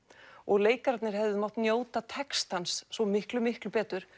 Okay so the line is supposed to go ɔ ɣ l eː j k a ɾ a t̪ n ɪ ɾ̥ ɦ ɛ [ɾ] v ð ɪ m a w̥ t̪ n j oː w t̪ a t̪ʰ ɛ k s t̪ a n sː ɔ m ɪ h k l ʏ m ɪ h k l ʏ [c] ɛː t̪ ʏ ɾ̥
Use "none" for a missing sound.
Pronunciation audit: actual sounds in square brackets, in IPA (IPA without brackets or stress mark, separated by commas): none, p